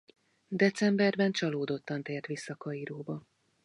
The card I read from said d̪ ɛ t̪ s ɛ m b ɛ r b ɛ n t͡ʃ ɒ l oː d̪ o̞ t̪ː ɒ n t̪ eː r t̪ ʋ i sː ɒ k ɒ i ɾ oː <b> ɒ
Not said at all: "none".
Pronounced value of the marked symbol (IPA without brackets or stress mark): b